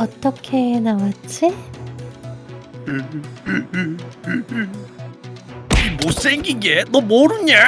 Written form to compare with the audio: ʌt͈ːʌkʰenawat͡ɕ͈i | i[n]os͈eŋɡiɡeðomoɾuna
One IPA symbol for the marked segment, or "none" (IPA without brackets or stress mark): m